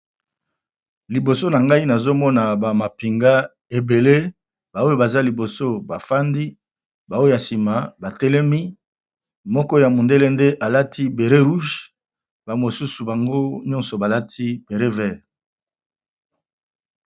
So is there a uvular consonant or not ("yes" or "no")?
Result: yes